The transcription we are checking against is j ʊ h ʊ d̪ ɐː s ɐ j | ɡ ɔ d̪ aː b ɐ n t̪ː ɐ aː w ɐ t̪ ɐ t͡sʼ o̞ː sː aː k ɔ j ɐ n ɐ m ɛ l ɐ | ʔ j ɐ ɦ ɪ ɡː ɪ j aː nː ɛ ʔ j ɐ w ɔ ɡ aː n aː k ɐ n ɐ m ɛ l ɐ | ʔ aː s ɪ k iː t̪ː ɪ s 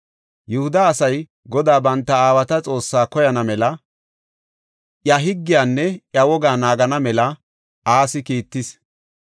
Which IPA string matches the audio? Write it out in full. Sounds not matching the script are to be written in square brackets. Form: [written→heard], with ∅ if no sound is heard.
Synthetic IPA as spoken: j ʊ h ʊ d̪ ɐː s ɐ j | ɡ ɔ d̪ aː b ɐ n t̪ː ɐ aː w ɐ t̪ ɐ t͡sʼ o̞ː sː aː k ɔ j ɐ n ɐ m ɛ l ɐ | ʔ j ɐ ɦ ɪ ɡː ɪ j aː nː ɛ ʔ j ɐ w ɔ ɡ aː n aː [k→ɡ] ɐ n ɐ m ɛ l ɐ | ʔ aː s ɪ k iː t̪ː ɪ s